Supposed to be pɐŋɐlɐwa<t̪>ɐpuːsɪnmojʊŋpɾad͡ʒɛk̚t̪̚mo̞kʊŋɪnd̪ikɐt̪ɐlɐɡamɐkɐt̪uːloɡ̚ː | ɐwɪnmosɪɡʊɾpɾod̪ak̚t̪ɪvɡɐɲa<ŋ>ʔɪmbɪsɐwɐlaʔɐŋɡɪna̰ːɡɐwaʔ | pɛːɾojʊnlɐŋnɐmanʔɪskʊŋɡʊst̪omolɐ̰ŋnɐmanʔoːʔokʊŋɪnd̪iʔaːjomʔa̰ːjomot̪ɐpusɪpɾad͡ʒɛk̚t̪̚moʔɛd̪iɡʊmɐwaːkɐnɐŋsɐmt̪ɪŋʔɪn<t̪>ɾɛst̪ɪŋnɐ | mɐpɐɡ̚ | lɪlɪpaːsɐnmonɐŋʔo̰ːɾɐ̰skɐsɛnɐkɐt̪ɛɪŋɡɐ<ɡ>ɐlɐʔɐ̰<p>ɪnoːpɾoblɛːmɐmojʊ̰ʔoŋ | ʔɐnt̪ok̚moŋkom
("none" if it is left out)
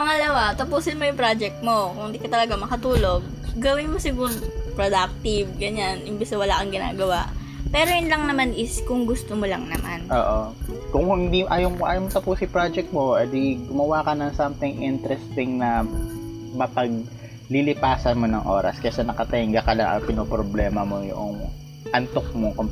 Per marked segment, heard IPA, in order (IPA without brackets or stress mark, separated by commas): t̪, n, t̪, k, p